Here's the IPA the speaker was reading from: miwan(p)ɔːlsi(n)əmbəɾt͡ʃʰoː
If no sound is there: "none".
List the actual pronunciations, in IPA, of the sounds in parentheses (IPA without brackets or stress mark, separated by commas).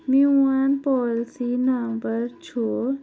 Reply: p, n